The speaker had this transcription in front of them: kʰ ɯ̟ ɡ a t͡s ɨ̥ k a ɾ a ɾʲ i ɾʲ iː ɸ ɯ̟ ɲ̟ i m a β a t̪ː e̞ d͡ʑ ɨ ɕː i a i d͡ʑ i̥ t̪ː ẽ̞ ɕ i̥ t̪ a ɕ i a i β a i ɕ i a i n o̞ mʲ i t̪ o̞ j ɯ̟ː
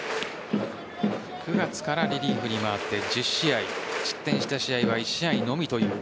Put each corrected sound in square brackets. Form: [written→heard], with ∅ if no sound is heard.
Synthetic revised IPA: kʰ ɯ̟ ɡ a t͡s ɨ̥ k a ɾ a ɾʲ i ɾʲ iː ɸ ɯ̟ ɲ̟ i m a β a t̪ː e̞ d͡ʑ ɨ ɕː i a i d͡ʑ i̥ t̪ː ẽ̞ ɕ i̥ t̪ a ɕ i a i β a i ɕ i a i n o̞ mʲ i t̪ o̞ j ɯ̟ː